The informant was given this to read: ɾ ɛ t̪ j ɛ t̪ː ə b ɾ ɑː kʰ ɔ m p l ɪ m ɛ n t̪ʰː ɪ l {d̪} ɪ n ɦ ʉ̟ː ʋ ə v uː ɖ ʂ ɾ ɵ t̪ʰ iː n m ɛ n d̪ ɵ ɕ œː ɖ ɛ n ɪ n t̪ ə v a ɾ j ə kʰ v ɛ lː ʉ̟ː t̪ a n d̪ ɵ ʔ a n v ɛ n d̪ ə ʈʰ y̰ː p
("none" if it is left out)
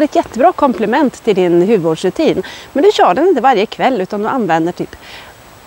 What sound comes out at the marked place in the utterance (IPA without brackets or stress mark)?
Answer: d̪